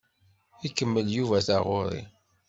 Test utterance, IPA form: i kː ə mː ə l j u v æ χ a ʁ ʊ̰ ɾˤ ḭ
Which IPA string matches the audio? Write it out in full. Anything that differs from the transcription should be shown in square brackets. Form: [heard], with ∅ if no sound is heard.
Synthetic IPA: i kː ə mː ə l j u v æ [θ] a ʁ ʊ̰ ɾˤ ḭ